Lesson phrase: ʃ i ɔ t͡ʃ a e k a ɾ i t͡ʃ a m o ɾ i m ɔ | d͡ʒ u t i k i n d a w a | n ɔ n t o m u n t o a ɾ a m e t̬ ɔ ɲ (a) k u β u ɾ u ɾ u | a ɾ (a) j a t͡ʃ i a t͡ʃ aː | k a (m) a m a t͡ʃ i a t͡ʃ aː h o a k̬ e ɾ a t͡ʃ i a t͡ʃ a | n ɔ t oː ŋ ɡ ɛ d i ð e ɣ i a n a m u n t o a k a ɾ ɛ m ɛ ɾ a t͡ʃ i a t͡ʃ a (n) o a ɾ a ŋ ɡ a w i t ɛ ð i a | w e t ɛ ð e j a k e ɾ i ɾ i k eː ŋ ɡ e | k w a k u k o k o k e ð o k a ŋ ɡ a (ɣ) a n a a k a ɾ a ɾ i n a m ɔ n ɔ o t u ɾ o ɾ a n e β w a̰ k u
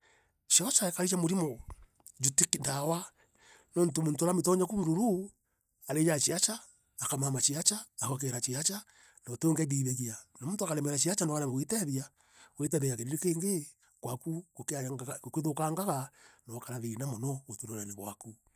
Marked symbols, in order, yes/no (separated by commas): yes, no, yes, yes, yes